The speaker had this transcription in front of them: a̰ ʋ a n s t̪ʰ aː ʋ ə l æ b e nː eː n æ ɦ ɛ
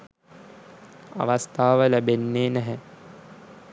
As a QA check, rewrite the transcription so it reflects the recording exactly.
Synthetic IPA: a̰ ʋ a s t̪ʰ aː ʋ ə l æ b e nː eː n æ ɦ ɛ